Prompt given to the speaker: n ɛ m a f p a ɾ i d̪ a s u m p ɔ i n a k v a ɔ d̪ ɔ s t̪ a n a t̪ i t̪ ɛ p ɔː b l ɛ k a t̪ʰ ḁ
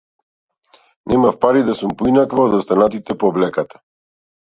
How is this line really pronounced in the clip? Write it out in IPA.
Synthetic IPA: n ɛ m a f p a ɾ i d̪ a s u m p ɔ i n a k v a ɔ d̪ ɔ s t̪ a n a t̪ i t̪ ɛ p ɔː b l ɛ k a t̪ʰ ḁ